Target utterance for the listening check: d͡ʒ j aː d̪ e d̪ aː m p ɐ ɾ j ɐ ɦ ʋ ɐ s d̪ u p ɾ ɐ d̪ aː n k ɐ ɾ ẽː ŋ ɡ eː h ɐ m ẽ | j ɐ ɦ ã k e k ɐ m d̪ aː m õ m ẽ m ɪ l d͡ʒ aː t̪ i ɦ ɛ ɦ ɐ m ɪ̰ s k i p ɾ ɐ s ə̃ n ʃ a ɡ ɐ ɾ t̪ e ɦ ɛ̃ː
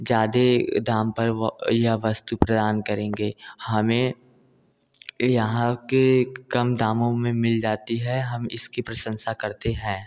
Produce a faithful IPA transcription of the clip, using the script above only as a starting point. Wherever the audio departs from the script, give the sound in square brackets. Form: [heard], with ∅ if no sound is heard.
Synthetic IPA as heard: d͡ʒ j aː d̪ e d̪ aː m p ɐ ɾ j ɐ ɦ ʋ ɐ s [t̪] u p ɾ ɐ d̪ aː n k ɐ ɾ ẽː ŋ ɡ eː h ɐ m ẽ | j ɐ ɦ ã k e k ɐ m d̪ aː m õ m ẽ m ɪ l d͡ʒ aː t̪ i ɦ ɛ ɦ ɐ m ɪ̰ s k i p ɾ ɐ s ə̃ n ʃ a [k] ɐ ɾ t̪ e ɦ ɛ̃ː